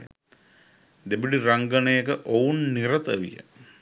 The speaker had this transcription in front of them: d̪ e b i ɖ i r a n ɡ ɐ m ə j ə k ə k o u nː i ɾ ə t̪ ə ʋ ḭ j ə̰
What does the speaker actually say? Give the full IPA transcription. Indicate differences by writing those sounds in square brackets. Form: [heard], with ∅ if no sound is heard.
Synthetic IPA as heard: d̪ e b i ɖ i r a [ŋ] ɡ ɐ [n] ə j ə k ə [ʔ] o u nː i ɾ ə t̪ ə ʋ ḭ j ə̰